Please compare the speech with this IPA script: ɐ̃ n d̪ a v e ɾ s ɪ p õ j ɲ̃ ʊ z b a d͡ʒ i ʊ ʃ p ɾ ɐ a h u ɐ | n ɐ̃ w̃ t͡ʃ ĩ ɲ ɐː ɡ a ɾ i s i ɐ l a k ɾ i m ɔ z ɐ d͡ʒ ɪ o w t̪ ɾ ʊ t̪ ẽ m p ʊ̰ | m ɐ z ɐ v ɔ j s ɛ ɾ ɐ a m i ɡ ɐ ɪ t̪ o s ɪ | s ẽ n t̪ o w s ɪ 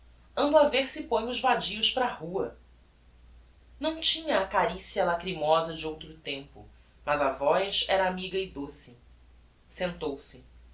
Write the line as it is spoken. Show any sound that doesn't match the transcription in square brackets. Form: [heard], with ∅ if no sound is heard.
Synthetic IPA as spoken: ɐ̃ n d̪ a v e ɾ s ɪ p õ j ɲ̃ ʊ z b a d͡ʒ i ʊ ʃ p ɾ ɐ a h u ɐ | n ɐ̃ w̃ t͡ʃ ĩ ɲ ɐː [k] a ɾ i s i ɐ l a k ɾ i m ɔ z ɐ d͡ʒ ɪ o w t̪ ɾ ʊ t̪ ẽ m p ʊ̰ | m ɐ z ɐ v ɔ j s ɛ ɾ ɐ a m i ɡ ɐ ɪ [d̪] o s ɪ | s ẽ n t̪ o w s ɪ